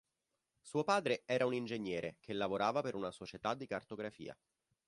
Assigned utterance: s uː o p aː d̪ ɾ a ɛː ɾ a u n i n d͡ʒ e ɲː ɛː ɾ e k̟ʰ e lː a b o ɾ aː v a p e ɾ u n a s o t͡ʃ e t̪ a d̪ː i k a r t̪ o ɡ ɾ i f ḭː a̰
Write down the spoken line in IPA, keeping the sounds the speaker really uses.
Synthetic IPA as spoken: s uː o p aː d̪ ɾ e ɛː ɾ a u n i n d͡ʒ e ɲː ɛː ɾ e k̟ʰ e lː a v o ɾ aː v a p e ɾ u n a s o t͡ʃ e t̪ a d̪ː i k a r t̪ o ɡ ɾ a f ḭː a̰